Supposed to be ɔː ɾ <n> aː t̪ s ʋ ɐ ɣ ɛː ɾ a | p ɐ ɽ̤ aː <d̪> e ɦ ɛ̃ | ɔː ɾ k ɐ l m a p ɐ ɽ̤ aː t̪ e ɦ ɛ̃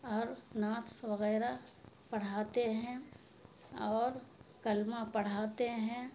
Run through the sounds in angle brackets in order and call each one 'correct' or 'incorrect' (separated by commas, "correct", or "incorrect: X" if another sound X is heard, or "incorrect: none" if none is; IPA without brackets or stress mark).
correct, incorrect: t̪